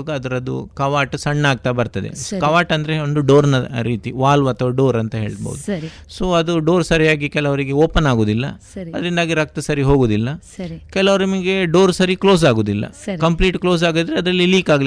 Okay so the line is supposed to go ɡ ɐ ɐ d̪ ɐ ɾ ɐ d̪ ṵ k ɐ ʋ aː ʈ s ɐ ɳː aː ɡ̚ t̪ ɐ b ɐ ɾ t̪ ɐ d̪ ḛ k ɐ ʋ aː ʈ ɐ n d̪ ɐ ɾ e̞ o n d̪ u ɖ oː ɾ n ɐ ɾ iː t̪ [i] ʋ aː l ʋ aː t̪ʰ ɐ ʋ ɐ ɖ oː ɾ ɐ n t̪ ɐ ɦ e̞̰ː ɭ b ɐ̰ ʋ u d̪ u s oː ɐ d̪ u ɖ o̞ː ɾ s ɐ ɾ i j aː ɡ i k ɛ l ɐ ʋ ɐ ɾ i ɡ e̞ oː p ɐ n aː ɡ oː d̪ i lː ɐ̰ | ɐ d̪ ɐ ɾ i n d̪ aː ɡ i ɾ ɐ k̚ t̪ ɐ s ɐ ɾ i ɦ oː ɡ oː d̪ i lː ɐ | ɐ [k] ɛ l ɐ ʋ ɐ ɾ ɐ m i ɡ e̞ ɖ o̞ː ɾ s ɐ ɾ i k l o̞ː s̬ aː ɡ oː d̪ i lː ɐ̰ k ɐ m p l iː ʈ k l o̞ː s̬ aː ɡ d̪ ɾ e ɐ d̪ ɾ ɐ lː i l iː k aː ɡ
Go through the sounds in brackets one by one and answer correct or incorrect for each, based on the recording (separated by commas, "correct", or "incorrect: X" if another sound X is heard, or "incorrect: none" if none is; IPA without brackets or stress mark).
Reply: correct, correct